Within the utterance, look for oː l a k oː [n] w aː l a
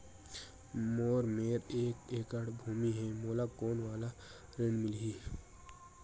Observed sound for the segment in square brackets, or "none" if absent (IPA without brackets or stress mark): n